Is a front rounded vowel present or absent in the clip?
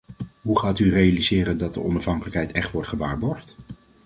present